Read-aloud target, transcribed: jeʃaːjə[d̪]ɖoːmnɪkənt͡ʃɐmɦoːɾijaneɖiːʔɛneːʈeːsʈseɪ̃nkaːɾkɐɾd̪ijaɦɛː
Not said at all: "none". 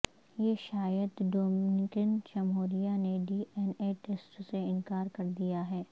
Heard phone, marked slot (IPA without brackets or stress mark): d̪